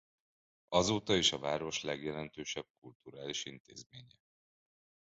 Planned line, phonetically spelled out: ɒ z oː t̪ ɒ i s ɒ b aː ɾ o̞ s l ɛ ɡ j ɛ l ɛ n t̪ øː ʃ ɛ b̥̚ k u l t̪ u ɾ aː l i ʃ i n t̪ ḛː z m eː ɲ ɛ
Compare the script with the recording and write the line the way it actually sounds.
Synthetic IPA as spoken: ɒ z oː t̪ ɒ i ʃ ɒ v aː ɾ o̞ ʃ l ɛ ɡ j ɛ l ɛ n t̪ øː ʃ ɛ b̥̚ k u l t̪ u ɾ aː l i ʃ i n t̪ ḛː z m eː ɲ ɛ

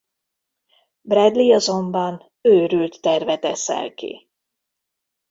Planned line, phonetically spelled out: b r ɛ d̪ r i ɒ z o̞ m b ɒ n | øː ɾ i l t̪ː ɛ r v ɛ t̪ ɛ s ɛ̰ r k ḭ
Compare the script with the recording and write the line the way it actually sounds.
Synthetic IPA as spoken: b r ɛ d̪ l i ɒ z o̞ m b ɒ n | øː ɾ y l t̪ː ɛ r v ɛ t̪ ɛ s ɛ̰ l k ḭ

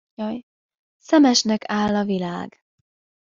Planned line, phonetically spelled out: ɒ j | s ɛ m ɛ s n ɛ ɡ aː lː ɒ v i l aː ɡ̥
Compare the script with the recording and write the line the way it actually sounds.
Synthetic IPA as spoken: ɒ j | s ɛ m ɛ ʃ n ɛ k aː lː ɒ v i l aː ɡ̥

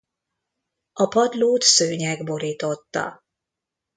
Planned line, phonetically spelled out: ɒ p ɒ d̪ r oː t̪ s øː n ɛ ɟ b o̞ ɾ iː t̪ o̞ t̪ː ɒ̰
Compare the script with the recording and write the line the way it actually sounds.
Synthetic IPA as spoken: ɒ p ɒ d̪ l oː t̪ s øː ɲ ɛ ɡ b o̞ ɾ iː t̪ o̞ t̪ː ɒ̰

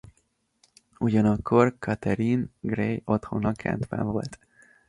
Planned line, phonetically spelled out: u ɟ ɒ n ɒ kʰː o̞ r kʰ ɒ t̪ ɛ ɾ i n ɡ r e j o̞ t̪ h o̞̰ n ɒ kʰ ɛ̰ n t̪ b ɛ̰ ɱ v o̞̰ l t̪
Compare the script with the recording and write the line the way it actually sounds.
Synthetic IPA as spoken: u ɟ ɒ n ɒ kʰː o̞ r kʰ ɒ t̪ ɛ ɾ i n ɡ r e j o̞ t̪ h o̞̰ n ɒ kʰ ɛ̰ n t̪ b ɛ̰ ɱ v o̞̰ l t̪

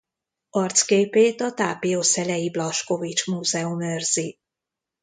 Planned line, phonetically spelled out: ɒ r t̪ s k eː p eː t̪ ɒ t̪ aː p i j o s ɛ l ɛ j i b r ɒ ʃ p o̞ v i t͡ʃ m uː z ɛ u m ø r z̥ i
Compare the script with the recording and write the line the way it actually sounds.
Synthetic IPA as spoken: ɒ r t̪ s k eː p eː t̪ ɒ t̪ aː p i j o s ɛ l ɛ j i b l ɒ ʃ k o̞ v i t͡ʃ m uː z ɛ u m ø r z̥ i

